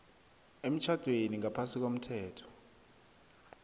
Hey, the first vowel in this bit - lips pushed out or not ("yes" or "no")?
no